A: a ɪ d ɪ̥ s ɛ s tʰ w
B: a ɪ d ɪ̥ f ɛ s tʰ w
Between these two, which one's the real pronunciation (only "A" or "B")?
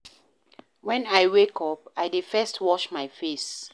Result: B